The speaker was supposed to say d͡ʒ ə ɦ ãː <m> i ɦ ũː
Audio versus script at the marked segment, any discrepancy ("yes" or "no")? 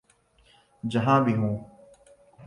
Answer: yes